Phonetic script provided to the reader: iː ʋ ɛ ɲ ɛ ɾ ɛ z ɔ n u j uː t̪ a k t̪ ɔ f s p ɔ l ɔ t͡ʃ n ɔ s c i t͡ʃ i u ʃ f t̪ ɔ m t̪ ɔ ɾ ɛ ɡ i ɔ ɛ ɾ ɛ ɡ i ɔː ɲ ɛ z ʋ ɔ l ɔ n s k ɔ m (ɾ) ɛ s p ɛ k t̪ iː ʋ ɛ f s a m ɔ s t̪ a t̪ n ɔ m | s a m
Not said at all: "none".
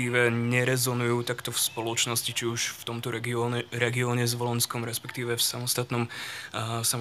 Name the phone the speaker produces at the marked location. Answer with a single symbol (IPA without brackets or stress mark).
ɾ